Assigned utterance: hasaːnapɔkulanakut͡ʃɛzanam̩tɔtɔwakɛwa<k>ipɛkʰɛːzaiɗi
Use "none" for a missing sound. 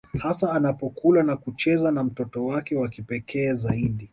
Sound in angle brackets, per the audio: k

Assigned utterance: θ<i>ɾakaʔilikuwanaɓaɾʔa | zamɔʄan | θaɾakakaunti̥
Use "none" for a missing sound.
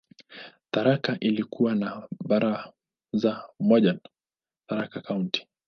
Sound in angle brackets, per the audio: a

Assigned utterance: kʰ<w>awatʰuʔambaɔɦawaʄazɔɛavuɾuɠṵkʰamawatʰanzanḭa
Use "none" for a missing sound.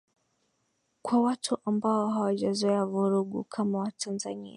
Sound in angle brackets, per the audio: w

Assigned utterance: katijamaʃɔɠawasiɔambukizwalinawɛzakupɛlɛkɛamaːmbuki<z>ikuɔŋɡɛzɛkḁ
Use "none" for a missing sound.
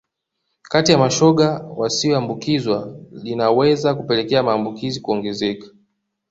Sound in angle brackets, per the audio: z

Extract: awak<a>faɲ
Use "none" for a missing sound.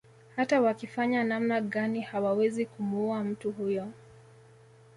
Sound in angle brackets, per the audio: i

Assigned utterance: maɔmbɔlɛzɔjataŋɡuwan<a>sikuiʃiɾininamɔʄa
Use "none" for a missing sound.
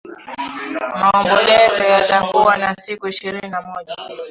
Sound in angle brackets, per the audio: a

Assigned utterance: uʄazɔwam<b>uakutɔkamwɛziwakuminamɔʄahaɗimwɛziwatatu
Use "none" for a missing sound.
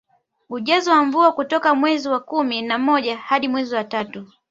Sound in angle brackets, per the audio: v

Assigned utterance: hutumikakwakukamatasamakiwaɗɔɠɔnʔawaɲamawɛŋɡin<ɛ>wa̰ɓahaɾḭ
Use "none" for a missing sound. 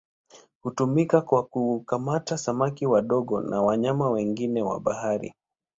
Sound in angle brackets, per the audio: ɛ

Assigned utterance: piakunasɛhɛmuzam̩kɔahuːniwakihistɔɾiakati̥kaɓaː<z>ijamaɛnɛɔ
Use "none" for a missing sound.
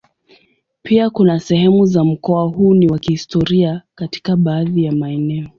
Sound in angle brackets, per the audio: ð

